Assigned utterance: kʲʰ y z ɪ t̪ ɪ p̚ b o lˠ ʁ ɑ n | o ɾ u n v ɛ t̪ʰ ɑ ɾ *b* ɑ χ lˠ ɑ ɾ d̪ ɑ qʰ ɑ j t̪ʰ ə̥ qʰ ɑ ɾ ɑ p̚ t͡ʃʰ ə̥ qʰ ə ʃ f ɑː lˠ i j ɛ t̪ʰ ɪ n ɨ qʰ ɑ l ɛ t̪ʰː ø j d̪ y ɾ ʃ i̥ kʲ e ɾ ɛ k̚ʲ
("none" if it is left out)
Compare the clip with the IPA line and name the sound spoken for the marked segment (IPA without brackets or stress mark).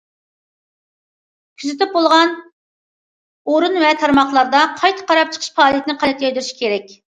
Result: m